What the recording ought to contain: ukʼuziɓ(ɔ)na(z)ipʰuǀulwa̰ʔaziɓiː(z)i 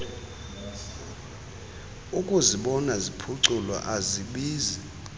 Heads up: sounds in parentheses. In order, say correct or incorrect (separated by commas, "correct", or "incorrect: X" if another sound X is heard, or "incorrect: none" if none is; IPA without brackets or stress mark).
correct, correct, correct